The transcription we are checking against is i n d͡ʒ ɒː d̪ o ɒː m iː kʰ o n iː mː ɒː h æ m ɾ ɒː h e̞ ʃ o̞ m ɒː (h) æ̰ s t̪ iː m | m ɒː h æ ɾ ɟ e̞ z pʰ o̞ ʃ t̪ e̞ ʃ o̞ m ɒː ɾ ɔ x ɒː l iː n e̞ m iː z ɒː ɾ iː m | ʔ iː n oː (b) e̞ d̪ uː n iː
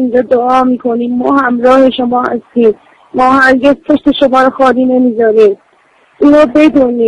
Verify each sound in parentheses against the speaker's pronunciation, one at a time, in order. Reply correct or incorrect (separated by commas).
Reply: correct, correct